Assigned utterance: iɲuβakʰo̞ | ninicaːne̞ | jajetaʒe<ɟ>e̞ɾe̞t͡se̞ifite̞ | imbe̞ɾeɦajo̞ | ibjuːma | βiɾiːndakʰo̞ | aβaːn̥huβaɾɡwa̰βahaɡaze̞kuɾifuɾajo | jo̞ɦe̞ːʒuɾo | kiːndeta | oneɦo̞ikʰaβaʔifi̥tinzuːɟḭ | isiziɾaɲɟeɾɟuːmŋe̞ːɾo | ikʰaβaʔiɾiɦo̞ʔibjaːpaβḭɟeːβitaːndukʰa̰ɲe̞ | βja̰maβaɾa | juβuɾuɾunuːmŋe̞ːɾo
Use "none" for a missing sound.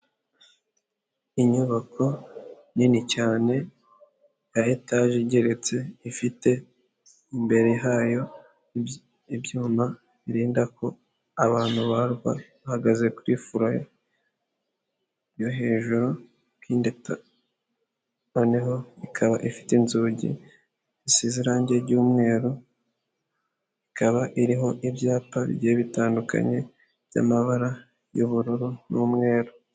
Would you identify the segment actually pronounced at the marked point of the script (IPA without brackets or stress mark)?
ɟ